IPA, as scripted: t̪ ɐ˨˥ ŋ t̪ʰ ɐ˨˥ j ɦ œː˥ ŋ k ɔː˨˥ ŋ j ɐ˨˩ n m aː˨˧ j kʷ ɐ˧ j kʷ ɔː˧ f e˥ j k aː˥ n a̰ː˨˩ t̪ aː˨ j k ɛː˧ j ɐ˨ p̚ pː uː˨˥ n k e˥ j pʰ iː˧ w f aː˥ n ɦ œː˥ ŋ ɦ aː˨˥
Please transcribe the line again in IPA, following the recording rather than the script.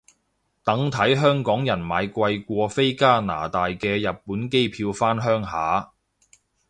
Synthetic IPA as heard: t̪ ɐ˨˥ ŋ t̪ʰ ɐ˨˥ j ɦ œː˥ ŋ k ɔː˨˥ ŋ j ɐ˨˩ n m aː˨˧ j kʷ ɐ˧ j kʷ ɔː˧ f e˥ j k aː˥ n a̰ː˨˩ t̪ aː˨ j k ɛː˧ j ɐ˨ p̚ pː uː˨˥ n k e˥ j pʰ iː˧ w f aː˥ n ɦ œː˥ ŋ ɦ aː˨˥